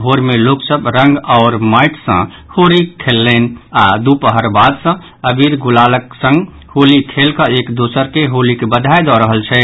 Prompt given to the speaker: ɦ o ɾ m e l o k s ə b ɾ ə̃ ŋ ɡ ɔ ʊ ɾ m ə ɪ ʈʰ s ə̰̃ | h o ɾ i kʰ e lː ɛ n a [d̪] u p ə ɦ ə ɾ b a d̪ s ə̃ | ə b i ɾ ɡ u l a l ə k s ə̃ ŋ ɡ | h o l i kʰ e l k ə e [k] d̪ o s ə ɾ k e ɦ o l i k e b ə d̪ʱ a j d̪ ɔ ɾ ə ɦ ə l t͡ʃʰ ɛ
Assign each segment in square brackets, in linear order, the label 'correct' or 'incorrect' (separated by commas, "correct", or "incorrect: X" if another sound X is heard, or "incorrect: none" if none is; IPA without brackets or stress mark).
correct, correct